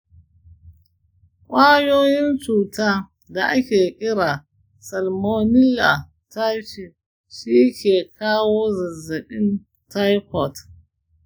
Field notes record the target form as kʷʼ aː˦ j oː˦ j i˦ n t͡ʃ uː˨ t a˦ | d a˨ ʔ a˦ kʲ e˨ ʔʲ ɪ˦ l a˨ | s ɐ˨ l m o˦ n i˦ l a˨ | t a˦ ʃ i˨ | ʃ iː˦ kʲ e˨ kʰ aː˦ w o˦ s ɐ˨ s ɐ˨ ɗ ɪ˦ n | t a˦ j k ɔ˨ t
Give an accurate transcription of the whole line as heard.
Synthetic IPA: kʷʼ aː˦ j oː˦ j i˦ n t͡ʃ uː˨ t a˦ | d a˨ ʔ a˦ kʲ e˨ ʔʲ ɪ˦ ɾ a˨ | s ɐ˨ l m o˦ n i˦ l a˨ | t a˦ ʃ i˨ | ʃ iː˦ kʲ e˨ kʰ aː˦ w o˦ z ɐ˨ z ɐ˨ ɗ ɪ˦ n | t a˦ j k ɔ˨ t